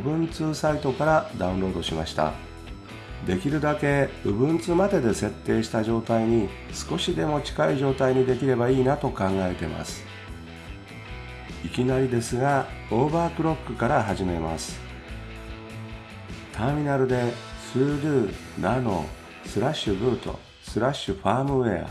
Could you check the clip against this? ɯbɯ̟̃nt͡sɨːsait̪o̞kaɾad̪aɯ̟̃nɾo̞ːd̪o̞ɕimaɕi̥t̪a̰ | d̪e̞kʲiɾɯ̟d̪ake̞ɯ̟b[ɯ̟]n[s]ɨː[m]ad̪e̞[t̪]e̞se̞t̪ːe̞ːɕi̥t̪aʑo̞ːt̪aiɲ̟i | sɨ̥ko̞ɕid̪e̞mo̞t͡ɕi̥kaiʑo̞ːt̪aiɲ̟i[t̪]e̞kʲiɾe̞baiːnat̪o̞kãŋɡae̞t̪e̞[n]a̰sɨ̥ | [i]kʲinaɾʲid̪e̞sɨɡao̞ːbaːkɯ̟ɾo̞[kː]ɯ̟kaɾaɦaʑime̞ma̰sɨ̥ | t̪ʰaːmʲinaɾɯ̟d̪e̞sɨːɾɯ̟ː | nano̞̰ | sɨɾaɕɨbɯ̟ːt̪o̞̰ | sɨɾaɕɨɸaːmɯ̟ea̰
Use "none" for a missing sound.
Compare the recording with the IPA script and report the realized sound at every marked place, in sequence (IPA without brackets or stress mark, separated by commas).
ɯ̟̃, t͡s, m, d̪, d̪, m, i, kː